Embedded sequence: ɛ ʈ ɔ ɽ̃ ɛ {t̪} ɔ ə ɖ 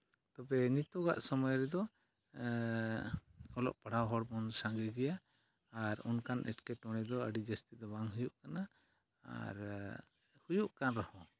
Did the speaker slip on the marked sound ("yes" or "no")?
yes